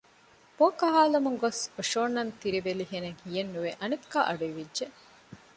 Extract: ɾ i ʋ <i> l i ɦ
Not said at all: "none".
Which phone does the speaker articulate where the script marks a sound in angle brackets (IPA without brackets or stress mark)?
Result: e